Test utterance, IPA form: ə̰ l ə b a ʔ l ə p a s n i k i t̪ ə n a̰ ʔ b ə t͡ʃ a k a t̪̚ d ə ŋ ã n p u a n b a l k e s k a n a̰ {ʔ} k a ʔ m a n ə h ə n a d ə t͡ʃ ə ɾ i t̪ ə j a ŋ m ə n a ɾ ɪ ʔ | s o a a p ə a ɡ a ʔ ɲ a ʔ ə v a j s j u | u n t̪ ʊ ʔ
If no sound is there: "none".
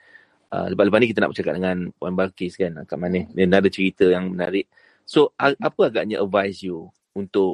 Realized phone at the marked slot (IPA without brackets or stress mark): none